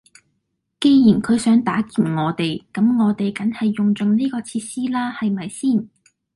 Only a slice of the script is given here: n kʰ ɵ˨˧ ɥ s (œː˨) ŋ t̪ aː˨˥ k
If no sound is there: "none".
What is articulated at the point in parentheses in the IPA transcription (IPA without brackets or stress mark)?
œː˨˥